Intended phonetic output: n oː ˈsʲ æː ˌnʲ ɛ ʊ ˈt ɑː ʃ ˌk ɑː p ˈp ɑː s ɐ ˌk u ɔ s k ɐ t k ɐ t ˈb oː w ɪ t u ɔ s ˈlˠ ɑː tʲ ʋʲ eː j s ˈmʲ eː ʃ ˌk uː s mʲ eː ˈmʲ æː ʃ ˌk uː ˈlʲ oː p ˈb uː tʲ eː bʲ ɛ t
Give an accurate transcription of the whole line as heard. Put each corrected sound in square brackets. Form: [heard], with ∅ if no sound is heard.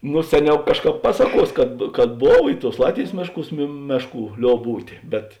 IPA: n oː ˈsʲ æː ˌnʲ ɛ ʊ [ˈk] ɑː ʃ ˌk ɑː p ˈp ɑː s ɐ ˌk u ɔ s k ɐ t k ɐ t ˈb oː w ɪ t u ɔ s ˈlˠ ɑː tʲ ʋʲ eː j s ˈmʲ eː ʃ ˌk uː s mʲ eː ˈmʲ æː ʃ ˌk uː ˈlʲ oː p ˈb uː tʲ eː bʲ ɛ t

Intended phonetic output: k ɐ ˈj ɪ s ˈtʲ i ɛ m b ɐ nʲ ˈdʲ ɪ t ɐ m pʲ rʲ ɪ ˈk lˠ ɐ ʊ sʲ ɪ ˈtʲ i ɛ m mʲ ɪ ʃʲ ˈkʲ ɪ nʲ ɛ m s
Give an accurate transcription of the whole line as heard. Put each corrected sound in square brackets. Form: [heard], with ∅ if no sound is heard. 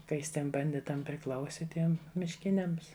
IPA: k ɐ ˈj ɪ s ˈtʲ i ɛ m b ɐ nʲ ˈdʲ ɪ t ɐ m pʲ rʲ ɪ ˈk lˠ ɐ ʊ sʲ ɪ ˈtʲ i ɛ m mʲ ɪ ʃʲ ˈkʲ ɪ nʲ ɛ m s

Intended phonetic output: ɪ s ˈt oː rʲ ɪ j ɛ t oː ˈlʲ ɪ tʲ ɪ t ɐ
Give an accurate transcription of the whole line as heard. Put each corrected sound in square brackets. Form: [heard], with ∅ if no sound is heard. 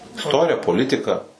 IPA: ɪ s ˈt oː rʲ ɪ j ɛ [p] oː ˈlʲ ɪ tʲ ɪ [k] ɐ

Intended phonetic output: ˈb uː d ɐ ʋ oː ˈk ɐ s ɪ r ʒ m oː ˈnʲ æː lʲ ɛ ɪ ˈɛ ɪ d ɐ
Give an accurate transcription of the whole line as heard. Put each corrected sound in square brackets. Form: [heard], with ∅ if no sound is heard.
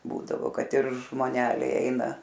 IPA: ˈb uː d ɐ ʋ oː ˈk ɐ [t] ɪ r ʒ m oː ˈnʲ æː lʲ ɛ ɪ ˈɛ ɪ [n] ɐ

